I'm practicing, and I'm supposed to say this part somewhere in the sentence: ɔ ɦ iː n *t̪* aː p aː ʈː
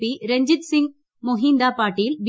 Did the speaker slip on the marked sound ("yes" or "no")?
yes